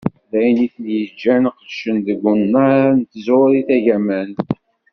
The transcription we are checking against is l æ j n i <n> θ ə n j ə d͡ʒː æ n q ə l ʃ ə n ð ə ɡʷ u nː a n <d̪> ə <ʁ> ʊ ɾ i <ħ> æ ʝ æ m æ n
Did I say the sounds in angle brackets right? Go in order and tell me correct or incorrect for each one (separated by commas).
incorrect, incorrect, incorrect, incorrect